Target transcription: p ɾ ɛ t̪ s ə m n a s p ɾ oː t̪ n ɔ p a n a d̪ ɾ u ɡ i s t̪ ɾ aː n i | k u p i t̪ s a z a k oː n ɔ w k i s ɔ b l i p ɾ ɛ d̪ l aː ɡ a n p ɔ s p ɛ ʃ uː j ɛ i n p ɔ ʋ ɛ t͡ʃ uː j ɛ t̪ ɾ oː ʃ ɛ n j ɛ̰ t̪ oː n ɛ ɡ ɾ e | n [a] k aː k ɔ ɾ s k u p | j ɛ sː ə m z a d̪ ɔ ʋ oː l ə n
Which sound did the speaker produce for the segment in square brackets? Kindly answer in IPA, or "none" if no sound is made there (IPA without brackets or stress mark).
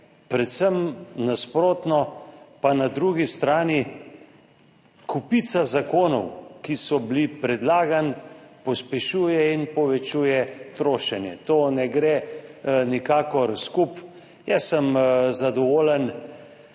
i